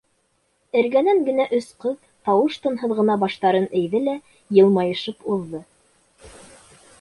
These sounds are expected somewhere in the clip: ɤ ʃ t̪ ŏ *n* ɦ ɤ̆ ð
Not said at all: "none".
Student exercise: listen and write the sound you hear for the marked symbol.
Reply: n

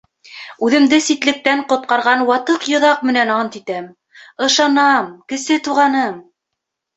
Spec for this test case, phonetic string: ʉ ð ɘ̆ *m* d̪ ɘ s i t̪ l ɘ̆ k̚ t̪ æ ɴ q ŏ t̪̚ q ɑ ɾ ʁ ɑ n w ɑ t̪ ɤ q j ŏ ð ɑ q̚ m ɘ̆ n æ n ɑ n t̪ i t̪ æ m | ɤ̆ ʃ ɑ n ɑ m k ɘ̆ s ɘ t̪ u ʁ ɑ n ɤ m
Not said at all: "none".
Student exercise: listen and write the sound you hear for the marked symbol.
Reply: m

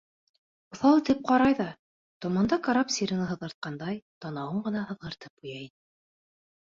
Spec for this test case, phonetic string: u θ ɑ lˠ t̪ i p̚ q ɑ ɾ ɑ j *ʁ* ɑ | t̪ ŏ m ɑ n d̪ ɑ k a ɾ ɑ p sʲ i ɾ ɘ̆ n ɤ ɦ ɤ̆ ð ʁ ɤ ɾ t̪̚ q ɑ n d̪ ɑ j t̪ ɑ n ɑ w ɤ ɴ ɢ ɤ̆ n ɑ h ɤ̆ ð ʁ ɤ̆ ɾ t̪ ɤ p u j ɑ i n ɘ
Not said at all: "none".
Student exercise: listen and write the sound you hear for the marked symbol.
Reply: ð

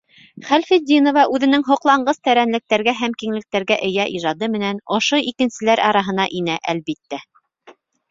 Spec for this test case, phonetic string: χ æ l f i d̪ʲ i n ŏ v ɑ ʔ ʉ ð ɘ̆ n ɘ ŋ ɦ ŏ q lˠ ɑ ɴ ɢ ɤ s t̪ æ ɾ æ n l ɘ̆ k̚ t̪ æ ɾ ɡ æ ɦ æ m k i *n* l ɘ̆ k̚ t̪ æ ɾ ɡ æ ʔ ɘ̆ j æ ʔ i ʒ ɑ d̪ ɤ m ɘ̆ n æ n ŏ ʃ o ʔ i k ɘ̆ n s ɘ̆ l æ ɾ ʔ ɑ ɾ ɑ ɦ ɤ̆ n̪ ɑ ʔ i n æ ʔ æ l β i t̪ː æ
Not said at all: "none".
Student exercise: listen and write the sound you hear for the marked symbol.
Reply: ŋ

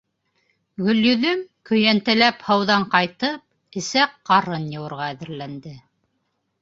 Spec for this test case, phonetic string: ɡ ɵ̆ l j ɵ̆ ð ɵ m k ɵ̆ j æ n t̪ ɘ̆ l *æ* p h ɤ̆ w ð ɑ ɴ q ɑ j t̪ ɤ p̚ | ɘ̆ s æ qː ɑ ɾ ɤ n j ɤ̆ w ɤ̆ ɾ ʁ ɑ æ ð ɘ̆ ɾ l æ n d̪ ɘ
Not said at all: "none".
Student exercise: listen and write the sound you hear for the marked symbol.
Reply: æ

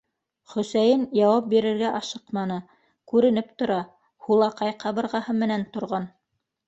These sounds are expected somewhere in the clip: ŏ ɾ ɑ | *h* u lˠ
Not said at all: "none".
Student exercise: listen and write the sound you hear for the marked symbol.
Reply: h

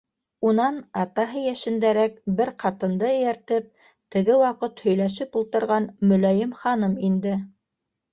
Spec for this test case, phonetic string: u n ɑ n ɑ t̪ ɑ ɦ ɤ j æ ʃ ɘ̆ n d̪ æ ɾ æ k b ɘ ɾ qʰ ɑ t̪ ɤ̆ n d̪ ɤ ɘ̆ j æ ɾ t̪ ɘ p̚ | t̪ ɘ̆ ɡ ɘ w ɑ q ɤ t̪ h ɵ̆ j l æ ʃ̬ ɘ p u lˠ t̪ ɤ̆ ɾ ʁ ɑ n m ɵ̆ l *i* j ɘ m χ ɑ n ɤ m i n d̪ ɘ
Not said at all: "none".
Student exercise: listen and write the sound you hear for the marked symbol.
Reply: æ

